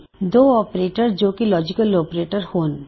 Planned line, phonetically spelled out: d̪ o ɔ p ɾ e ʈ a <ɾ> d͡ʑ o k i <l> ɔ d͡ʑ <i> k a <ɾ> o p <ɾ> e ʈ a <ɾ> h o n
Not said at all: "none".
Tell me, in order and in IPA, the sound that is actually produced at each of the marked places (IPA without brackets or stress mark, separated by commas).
ɾ, l, i, l, ɾ, ɾ